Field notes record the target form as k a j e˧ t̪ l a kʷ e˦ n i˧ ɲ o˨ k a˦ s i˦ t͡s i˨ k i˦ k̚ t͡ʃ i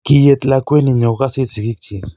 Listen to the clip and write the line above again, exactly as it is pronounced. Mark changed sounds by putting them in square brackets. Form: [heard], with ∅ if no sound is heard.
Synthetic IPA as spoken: k [i] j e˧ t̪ l a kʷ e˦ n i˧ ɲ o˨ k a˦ s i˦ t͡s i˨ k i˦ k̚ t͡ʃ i